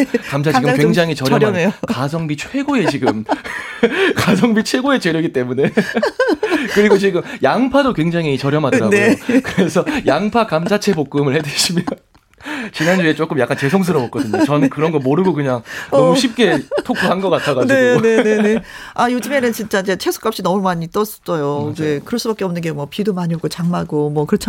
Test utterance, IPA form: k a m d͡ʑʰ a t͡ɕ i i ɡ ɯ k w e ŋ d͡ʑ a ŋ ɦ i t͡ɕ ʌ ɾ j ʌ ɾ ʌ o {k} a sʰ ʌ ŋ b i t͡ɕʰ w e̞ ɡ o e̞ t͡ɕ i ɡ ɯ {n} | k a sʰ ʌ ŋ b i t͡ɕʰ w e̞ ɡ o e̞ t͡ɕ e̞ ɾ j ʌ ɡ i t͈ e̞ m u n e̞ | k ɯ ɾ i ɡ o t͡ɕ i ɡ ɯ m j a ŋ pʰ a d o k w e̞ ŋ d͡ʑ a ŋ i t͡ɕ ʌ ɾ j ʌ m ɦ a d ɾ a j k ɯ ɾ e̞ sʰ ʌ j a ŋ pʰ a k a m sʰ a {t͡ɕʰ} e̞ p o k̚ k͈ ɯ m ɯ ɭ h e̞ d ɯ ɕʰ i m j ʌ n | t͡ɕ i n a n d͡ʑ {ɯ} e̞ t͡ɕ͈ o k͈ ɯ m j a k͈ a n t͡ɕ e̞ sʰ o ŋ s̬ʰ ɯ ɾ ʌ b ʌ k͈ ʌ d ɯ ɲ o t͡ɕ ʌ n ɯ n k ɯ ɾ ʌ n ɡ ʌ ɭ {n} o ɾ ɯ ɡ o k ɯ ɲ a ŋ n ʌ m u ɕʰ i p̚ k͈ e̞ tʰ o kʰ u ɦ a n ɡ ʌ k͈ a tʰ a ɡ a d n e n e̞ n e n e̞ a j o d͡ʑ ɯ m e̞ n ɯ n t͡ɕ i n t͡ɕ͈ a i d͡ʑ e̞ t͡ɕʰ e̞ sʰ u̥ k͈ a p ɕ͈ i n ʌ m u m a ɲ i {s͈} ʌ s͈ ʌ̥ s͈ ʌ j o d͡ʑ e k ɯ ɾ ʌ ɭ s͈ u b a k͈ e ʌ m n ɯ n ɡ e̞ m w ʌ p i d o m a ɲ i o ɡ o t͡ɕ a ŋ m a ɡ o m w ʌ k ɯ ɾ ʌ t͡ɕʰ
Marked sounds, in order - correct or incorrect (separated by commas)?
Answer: correct, incorrect, correct, incorrect, incorrect, incorrect